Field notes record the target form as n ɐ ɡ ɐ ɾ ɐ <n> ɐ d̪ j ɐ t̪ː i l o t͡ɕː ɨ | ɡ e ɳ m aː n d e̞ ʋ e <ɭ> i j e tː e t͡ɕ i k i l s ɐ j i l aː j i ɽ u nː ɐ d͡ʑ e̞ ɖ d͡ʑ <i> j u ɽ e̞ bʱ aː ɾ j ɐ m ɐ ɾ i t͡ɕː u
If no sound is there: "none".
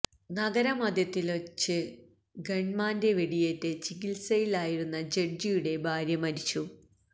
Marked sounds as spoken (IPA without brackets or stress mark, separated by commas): m, ɽ, i